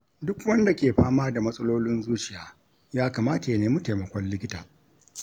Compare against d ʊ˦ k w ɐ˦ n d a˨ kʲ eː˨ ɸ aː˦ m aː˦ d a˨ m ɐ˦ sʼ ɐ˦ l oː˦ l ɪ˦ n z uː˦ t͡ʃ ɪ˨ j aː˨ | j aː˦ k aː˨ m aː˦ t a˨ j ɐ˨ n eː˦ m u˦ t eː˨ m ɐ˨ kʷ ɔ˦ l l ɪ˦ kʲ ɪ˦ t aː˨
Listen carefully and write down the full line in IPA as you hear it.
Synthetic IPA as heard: d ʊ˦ k w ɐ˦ n d a˨ kʲ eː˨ ɸ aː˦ m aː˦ d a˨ m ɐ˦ sʼ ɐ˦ l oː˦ l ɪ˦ n z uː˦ t͡ʃ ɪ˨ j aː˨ | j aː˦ k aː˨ m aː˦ t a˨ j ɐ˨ n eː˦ m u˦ t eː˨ m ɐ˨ kʷ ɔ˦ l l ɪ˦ kʲ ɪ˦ t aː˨